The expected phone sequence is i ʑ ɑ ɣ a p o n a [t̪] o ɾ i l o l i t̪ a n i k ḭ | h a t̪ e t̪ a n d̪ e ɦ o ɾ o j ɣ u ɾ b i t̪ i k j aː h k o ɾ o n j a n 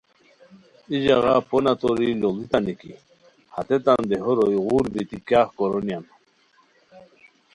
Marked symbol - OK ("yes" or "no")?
yes